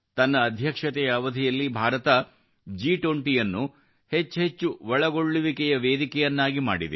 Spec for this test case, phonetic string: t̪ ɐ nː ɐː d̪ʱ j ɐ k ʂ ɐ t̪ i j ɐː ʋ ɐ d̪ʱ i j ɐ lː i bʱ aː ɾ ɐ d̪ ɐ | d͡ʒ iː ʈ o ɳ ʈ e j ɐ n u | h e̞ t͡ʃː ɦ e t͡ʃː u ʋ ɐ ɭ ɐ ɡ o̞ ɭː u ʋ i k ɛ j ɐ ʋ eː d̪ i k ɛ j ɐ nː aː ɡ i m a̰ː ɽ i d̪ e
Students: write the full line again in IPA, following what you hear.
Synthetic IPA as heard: t̪ ɐ nː ɐː d̪ʱ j ɐ k ʂ ɐ t̪ ɛ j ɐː ʋ ɐ d̪ʱ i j ɐ lː i bʱ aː ɾ ɐ t̪ ɐ | d͡ʒ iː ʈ o ɳ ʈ i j ɐ nː u | h e̞ t͡ʃː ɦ e t͡ʃː u ʋ ɐ ɭ ɐ ɡ o̞ ɭː u ʋ i k ɛ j ɐ ʋ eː d̪ i k ɛ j ɐ nː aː ɡ i m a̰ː ɽ i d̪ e